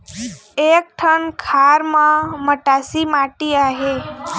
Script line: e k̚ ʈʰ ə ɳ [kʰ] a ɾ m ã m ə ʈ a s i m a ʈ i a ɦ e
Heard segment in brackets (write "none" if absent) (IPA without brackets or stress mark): kʰ